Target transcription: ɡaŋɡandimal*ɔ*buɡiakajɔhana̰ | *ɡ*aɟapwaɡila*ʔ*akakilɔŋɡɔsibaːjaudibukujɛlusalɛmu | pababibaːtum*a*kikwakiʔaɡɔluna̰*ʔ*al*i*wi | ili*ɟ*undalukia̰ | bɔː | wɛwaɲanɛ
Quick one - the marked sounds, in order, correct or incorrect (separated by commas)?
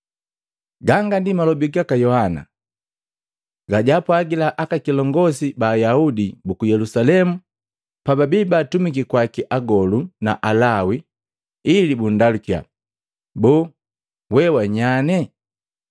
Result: correct, correct, correct, incorrect, correct, incorrect, incorrect